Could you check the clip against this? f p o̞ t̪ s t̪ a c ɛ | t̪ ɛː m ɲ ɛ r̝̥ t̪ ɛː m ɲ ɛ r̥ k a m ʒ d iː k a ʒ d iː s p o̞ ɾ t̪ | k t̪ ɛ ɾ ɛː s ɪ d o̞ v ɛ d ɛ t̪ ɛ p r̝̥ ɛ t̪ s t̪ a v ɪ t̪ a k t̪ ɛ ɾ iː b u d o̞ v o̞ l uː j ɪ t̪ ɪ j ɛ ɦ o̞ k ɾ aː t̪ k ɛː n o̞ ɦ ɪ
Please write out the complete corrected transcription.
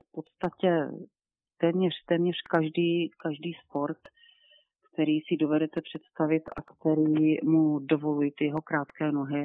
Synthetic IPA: f p o̞ t̪ s t̪ a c ɛ | t̪ ɛː m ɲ ɛ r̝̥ t̪ ɛː m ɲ ɛ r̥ k a ʒ d iː k a ʒ d iː s p o̞ ɾ t̪ | k t̪ ɛ ɾ iː s ɪ d o̞ v ɛ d ɛ t̪ ɛ p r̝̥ ɛ t̪ s t̪ a v ɪ t̪ a k t̪ ɛ ɾ iː m u d o̞ v o̞ l u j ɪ t̪ ɪ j ɛ ɦ o̞ k ɾ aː t̪ k ɛː n o̞ ɦ ɪ